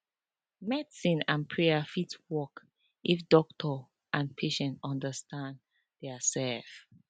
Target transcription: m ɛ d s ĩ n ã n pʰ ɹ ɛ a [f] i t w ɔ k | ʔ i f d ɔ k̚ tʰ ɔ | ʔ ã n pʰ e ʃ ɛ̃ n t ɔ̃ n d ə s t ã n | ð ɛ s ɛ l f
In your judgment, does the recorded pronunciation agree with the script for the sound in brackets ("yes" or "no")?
yes